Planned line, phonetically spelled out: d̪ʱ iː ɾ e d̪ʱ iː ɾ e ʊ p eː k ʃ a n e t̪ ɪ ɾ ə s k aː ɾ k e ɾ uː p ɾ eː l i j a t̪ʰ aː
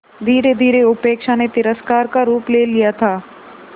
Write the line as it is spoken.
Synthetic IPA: d̪ʱ iː ɾ e d̪ʱ iː ɾ e ʊ p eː k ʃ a n e t̪ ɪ ɾ ə s k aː ɾ k a ɾ uː p l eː l i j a t̪ʰ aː